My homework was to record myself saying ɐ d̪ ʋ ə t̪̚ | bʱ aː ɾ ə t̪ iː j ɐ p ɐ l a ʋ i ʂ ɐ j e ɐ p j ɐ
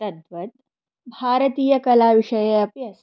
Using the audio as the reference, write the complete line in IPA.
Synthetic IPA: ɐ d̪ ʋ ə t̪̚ | bʱ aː ɾ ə t̪ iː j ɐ k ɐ l a ʋ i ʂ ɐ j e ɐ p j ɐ